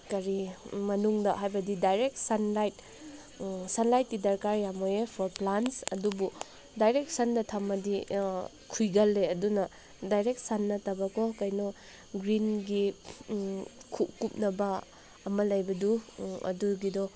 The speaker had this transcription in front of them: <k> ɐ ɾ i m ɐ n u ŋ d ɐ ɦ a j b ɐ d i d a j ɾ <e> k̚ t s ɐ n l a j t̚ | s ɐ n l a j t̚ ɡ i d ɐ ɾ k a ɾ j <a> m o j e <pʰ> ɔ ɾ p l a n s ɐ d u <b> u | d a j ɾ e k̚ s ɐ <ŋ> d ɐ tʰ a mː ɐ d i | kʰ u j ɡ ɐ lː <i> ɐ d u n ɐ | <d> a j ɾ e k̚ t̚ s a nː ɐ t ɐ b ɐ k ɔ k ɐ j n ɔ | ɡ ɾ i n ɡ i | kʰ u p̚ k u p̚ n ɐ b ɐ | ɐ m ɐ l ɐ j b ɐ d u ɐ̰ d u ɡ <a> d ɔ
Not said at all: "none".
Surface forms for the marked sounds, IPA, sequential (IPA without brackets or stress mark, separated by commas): k, e, a, pʰ, b, n, e, d, i